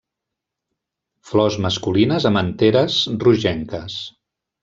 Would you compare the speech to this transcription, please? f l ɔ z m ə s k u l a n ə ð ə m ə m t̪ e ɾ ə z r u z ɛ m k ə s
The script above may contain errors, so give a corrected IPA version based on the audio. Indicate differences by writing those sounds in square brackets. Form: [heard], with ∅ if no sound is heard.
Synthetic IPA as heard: f l ɔ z m ə s k u l [i] n ə [z] ə m ə [n] t̪ e ɾ ə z r u [ʒ] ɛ [ŋ] k ə s